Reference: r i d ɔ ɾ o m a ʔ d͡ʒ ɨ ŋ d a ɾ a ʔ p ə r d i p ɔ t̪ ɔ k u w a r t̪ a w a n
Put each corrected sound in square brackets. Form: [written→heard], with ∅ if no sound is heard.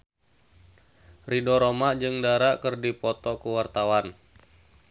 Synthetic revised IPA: r i d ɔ ɾ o m a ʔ d͡ʒ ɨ ŋ d a ɾ a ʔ [p→k] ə r d i p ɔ t̪ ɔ k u w a r t̪ a w a n